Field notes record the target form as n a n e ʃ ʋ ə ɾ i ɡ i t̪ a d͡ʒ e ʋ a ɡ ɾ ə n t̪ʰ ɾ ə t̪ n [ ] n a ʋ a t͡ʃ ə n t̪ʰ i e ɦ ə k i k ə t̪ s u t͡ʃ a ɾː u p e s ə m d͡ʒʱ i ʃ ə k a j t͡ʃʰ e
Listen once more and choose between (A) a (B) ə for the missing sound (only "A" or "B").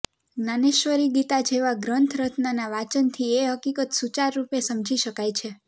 A